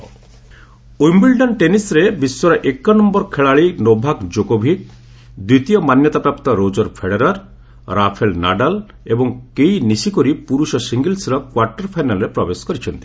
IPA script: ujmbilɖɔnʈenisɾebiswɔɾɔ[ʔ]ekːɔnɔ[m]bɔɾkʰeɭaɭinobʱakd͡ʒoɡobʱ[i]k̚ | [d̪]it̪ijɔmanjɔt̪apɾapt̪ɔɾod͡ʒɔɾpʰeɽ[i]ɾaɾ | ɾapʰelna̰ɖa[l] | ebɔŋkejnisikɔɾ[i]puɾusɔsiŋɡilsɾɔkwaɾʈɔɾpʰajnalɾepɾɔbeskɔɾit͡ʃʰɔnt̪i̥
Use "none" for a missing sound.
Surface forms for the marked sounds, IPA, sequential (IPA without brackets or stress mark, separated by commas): ʔ, m, i, d̪, e, l, i